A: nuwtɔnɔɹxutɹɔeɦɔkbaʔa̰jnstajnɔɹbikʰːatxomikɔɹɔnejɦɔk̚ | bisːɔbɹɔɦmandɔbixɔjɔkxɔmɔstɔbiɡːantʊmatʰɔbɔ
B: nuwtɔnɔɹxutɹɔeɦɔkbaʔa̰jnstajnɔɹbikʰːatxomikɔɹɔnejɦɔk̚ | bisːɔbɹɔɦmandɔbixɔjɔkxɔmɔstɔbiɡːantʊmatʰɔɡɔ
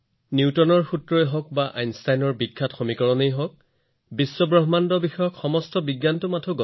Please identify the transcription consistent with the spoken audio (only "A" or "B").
B